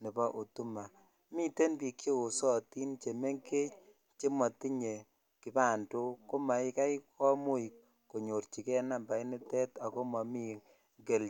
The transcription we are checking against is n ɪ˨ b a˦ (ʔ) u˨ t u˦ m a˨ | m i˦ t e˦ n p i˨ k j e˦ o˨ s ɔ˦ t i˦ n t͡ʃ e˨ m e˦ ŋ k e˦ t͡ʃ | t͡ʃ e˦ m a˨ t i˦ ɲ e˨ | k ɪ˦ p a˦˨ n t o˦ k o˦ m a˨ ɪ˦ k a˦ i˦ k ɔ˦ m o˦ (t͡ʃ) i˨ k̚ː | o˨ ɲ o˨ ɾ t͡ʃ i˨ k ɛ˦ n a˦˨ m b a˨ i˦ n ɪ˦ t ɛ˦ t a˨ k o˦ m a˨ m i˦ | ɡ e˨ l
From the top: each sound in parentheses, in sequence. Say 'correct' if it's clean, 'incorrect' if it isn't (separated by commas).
correct, incorrect